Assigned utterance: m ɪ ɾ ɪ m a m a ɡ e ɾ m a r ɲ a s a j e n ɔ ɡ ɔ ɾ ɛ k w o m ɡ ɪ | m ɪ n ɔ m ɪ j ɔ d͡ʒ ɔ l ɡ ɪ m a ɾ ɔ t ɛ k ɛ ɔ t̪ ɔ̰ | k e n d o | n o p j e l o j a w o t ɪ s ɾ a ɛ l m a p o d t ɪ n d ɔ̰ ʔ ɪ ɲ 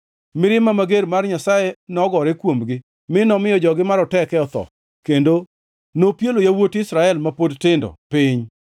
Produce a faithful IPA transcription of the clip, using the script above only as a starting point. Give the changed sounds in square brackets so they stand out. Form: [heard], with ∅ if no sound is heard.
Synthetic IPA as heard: m ɪ ɾ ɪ m a m a ɡ e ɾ m a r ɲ a s a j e n ɔ ɡ ɔ ɾ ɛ k w o m ɡ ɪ | m ɪ n ɔ m ɪ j ɔ d͡ʒ ɔ [∅] ɡ ɪ m a ɾ ɔ t ɛ k ɛ ɔ t̪ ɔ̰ | k e n d o | n o p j e l o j a w o t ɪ s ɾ a ɛ l m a p o d t ɪ n d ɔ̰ [p] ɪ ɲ

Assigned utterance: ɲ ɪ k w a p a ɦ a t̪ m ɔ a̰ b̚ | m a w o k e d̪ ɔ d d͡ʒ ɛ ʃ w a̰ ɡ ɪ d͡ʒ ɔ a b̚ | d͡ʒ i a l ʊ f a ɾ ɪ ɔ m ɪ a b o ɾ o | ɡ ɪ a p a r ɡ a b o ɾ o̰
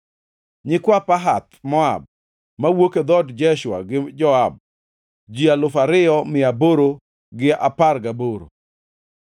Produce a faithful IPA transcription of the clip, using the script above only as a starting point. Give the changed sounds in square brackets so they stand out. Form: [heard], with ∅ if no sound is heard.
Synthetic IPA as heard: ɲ ɪ k w a p a ɦ a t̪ m ɔ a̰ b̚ | m a w o k e d̪ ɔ d d͡ʒ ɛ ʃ w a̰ ɡ ɪ d͡ʒ ɔ a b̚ | d͡ʒ i a l ʊ f a ɾ ɪ ɔ m ɪ a b o ɾ o | ɡ ɪ a p a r ɡ a b o ɾ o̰

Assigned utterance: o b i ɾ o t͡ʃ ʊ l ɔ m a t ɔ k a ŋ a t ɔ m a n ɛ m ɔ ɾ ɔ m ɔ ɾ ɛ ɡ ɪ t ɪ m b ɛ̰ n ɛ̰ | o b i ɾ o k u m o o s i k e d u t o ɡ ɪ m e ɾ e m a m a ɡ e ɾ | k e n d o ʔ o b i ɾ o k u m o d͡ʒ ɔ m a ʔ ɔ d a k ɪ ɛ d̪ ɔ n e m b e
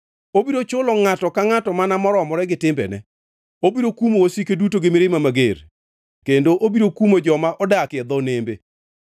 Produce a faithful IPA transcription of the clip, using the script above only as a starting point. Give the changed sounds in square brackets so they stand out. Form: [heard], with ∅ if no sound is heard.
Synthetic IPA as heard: o b i ɾ o t͡ʃ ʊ l ɔ [ŋ] a t ɔ k a ŋ a t ɔ m a n [a] m ɔ ɾ ɔ m ɔ ɾ ɛ ɡ ɪ t ɪ m b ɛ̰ n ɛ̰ | o b i ɾ o k u m o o s i k e d u t o ɡ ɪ m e ɾ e m a m a ɡ e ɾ | k e n d o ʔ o b i ɾ o k u m o d͡ʒ ɔ m a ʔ ɔ d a k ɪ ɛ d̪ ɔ n e m b e

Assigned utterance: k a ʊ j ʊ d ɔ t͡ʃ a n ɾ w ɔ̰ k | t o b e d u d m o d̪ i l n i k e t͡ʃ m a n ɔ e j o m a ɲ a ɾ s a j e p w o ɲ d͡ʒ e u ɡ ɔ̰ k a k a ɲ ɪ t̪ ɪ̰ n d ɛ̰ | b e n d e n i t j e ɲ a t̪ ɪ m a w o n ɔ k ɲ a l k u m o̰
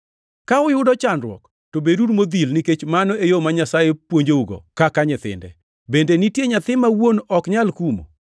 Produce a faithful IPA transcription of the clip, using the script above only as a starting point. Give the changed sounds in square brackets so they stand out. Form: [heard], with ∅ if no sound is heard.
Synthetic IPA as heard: k a ʊ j ʊ d ɔ t͡ʃ a n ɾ w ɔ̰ k | t o b e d u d m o d̪ i l n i k e t͡ʃ m a n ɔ e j o m a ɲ a [∅] s a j e p w o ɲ d͡ʒ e u ɡ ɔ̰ k a k a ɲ ɪ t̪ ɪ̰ n d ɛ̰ | b e n d e n i t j e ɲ a t̪ ɪ m a w o n ɔ k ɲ a l k u m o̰

